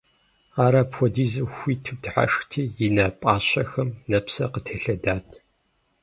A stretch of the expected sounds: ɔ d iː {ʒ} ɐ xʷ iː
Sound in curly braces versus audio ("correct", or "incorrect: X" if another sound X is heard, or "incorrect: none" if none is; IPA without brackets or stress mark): incorrect: z